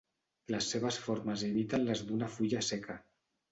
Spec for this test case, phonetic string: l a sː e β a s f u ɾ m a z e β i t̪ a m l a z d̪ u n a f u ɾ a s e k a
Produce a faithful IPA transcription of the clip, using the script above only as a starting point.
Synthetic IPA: l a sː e β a s f o ɾ m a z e β i t̪ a n l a z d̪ u n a f u ʎ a s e k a